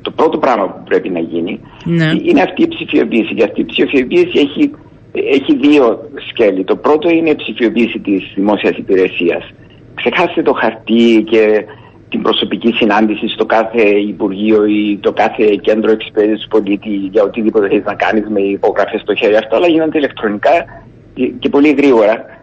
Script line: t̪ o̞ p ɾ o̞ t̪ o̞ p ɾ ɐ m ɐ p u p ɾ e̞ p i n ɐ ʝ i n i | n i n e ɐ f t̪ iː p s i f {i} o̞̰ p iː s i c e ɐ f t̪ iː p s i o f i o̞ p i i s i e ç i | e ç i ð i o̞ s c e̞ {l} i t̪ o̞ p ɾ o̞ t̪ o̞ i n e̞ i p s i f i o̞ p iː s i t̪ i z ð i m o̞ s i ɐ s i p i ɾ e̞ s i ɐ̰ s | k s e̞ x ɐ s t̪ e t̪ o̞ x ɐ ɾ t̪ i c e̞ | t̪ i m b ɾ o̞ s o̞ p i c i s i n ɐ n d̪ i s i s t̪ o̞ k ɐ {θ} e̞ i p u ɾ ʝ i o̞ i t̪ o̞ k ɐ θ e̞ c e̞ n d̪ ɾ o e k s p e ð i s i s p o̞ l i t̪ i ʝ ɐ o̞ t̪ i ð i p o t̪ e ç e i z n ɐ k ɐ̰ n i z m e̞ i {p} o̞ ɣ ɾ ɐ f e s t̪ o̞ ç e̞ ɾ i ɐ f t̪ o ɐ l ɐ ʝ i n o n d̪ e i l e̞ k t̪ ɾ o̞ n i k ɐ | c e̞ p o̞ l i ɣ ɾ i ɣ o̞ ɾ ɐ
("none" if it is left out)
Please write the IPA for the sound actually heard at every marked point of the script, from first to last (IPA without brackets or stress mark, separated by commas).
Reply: i, l, θ, p